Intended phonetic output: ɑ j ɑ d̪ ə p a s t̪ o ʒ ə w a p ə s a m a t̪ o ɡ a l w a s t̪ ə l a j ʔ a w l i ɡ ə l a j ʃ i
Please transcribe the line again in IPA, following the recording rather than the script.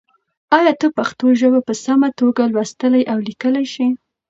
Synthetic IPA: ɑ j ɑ t̪ ə p a x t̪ o ʒ ə w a p ə s a m a t̪ o ɡ a l w a s t̪ ə l a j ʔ a w l i k ə l a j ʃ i